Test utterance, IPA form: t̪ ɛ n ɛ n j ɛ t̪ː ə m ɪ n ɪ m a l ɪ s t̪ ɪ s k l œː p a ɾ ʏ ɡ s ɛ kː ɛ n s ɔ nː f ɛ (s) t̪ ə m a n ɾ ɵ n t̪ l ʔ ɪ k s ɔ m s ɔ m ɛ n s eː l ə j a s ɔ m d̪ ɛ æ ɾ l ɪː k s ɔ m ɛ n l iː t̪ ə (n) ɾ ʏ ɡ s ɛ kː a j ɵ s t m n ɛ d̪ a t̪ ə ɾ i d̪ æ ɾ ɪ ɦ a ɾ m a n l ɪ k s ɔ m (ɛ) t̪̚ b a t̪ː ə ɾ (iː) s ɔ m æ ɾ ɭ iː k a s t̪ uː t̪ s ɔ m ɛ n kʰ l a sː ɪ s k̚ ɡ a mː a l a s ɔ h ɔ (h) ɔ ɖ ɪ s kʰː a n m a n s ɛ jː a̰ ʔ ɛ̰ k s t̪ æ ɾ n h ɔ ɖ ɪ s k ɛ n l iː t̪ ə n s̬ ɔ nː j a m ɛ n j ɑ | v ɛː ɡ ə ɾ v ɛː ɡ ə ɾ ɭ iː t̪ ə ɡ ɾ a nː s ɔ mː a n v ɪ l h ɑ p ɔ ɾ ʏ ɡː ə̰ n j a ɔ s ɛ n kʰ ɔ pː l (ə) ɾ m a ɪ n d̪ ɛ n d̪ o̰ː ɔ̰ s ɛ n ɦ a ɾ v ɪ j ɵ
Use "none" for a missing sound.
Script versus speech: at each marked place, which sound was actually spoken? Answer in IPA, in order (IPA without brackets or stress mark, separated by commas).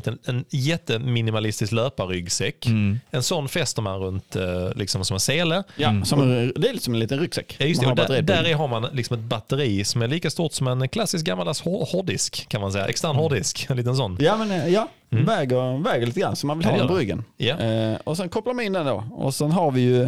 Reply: s, n, ɛ, iː, h, a